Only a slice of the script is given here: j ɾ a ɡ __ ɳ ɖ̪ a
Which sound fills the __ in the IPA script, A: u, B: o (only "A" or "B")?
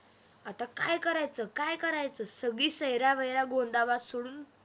B